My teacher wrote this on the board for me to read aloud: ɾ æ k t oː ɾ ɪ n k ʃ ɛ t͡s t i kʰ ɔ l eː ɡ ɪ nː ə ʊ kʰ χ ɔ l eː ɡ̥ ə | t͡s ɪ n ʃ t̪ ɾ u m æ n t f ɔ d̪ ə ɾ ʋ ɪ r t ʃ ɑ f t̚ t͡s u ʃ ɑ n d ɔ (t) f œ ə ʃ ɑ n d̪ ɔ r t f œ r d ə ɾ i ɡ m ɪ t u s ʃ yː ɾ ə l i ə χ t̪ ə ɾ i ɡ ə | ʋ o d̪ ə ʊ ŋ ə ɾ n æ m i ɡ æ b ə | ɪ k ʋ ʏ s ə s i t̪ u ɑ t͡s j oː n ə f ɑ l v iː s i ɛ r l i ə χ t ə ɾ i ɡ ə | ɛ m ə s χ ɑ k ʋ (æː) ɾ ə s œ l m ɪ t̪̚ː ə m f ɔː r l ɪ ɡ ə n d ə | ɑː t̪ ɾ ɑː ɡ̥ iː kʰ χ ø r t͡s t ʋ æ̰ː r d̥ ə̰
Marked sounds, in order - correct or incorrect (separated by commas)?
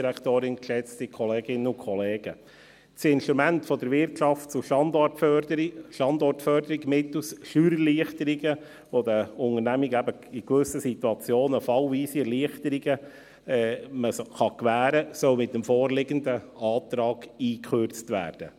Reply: correct, correct